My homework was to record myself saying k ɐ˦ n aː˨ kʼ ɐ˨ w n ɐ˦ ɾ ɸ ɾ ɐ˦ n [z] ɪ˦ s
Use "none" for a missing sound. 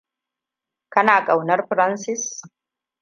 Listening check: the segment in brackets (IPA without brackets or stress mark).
s